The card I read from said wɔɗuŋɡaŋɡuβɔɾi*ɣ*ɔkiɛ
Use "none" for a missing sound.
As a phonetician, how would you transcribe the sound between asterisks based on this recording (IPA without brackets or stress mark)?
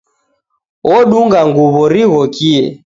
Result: ɣ